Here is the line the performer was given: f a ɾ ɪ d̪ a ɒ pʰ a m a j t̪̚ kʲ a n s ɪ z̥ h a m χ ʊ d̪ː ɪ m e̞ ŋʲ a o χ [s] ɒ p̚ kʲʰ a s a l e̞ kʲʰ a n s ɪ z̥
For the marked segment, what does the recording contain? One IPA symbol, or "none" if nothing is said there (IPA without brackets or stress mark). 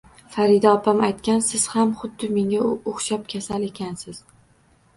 ʃ